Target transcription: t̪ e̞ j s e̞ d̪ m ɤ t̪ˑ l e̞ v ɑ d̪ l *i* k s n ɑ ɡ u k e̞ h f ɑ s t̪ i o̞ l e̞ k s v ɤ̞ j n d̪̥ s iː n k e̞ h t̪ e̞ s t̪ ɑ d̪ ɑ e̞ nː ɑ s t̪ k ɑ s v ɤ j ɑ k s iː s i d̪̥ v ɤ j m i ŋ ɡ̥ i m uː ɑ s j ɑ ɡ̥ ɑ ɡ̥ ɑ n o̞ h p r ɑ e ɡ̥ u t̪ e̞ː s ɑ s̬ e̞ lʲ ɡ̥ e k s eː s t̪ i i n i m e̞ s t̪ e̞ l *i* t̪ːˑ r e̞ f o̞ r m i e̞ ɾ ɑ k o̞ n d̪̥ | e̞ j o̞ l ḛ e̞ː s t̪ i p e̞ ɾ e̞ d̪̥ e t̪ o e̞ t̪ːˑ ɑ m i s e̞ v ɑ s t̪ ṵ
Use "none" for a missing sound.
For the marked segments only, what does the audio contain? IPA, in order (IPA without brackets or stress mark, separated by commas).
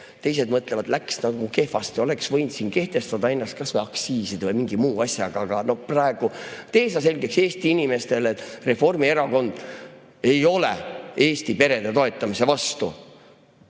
æ, e